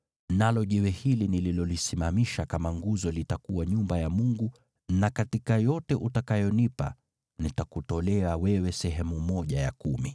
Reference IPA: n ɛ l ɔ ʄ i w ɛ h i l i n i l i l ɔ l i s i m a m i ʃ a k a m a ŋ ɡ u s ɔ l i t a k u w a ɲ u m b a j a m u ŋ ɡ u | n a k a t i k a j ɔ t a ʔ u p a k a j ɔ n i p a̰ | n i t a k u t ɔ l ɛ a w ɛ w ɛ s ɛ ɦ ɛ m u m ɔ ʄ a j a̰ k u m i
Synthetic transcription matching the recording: n a l ɔ ʄ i w ɛ h i l i n i l i l ɔ l i s i m a m i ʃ a k a m a ŋ ɡ u z ɔ l i t a k u w a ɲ u m b a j a m u ŋ ɡ u | n a k a t i k a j ɔ t ɛ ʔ u t a k a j ɔ n i p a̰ | n i t a k u t ɔ l ɛ a w ɛ w ɛ s ɛ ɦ ɛ m u m ɔ ʄ a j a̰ k u m i